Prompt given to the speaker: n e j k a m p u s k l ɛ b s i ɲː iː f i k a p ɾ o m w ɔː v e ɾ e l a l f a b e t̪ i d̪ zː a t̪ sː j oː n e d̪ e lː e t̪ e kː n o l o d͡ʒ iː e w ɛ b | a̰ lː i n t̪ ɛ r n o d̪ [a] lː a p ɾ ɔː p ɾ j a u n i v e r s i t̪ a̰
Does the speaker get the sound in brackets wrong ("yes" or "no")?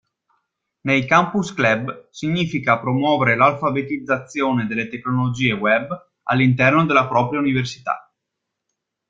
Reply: yes